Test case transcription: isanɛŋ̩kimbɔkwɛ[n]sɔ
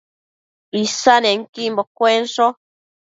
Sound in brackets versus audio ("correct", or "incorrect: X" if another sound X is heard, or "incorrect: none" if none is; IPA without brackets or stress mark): correct